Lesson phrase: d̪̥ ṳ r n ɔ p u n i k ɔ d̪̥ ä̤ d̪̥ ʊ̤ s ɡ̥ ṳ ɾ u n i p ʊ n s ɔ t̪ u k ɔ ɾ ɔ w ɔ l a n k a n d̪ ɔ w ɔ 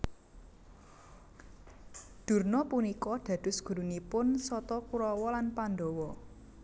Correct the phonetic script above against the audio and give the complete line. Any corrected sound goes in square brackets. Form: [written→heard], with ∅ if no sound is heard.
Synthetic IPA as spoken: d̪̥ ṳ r n ɔ p u n i k ɔ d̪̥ ä̤ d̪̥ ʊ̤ s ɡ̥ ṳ ɾ u n i p ʊ n s ɔ t̪ [u→ɔ] k [ɔ→u] ɾ ɔ w ɔ l a n [k→p] a n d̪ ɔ w ɔ